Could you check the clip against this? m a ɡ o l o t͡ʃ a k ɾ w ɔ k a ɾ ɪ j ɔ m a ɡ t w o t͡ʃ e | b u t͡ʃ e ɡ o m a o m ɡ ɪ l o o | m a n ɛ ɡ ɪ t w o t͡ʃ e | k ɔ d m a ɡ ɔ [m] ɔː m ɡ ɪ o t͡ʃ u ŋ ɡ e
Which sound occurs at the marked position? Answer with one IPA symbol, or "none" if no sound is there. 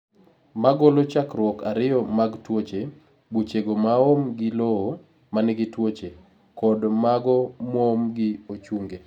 m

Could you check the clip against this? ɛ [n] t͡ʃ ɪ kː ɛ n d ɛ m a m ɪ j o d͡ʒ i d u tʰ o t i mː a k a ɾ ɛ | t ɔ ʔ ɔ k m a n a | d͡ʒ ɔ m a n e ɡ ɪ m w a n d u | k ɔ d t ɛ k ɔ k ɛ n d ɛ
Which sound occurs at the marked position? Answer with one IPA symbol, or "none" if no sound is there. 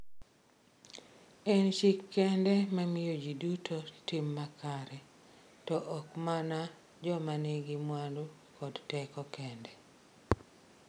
n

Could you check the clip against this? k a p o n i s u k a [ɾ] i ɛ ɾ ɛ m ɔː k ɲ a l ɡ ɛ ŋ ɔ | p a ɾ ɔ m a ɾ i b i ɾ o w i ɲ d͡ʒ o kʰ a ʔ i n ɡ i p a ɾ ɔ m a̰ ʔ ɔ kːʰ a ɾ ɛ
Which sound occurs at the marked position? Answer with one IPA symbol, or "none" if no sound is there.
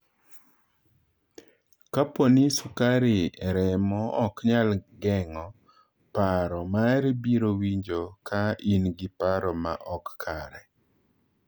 ɾ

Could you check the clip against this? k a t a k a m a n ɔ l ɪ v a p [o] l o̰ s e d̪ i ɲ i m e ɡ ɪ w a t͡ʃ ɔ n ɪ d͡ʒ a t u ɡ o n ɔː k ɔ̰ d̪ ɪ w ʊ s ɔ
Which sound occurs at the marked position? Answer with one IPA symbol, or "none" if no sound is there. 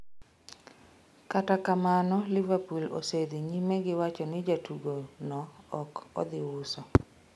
u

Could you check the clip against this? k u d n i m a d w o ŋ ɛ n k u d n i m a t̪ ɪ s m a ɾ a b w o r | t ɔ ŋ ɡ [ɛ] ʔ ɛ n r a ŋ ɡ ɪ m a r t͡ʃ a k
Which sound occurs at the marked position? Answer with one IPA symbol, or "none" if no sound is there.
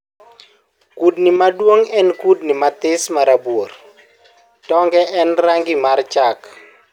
ɛ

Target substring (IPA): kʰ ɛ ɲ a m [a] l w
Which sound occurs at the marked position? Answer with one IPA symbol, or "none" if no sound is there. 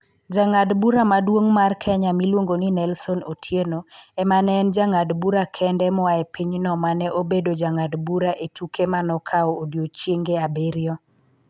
i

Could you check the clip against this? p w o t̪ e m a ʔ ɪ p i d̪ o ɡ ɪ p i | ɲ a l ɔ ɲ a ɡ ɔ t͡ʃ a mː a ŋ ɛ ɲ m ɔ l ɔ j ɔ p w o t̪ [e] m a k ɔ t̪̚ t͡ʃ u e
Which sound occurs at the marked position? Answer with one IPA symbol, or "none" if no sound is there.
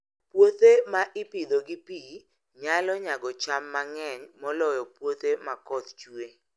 e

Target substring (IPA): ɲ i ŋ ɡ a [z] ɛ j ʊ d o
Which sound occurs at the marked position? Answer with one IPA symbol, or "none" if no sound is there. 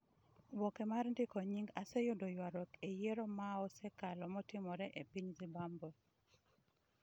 s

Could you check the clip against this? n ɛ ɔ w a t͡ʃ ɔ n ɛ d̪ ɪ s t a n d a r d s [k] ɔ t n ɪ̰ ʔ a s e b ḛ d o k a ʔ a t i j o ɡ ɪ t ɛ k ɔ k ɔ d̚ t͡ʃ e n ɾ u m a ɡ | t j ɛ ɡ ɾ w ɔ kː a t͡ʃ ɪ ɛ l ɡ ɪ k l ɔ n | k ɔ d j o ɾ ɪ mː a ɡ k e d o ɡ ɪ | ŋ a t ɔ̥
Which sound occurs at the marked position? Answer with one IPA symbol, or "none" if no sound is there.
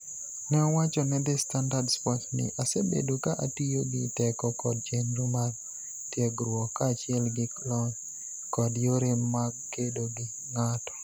p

